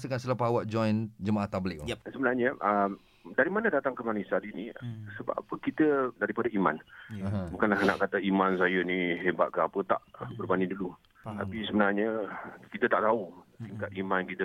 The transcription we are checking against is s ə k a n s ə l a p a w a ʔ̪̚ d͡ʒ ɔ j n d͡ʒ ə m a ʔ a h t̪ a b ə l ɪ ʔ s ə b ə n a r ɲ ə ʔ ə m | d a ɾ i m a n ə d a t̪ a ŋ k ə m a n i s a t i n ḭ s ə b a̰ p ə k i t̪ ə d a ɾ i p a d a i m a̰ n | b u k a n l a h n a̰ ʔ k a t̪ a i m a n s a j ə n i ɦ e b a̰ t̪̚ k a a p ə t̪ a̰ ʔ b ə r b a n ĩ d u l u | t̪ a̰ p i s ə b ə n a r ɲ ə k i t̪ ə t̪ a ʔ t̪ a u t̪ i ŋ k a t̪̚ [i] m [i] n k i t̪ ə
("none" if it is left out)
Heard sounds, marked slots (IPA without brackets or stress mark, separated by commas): i, a